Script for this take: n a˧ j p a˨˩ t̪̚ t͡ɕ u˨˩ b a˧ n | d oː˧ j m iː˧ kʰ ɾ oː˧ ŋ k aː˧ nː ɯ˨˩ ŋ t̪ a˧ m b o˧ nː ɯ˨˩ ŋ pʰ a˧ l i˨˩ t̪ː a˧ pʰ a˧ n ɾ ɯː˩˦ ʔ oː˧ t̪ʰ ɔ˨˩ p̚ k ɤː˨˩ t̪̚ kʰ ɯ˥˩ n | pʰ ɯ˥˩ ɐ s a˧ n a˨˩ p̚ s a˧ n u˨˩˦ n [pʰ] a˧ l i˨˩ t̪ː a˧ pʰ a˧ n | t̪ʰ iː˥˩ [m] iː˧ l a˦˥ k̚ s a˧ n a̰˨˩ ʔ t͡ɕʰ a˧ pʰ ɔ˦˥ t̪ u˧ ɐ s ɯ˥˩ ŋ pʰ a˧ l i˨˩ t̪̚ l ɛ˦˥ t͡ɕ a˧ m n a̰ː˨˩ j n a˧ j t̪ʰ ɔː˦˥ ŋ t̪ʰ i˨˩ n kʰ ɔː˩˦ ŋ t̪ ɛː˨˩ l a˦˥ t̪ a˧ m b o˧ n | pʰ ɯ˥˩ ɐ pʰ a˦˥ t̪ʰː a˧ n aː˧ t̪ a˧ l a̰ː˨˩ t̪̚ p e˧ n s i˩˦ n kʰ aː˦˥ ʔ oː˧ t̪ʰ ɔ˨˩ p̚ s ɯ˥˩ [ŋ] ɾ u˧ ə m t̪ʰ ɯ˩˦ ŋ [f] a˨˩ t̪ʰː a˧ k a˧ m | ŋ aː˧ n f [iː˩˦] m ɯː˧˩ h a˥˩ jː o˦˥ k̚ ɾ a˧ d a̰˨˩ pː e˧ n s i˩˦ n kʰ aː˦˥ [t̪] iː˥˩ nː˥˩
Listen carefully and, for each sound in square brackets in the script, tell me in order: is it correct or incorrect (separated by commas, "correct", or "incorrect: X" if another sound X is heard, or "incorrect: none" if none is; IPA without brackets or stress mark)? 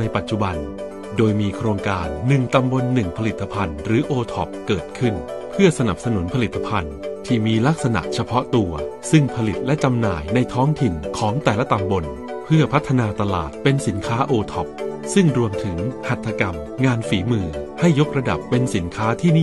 correct, correct, correct, incorrect: h, correct, incorrect: t̪ʰ